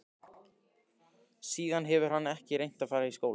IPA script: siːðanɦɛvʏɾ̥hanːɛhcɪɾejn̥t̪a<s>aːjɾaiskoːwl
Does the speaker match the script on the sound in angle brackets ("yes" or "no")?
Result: no